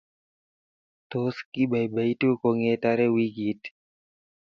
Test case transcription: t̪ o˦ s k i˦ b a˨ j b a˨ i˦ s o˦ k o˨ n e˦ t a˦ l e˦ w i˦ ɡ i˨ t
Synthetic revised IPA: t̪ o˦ s k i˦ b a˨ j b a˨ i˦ t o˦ k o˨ ŋ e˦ t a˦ ɾ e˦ w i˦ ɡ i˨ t